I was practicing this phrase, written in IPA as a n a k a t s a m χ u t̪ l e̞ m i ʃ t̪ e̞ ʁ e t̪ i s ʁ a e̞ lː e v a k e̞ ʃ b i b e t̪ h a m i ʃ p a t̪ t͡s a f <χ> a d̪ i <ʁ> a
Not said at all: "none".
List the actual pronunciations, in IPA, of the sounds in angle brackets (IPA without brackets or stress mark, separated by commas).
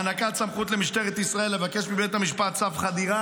χ, ʁ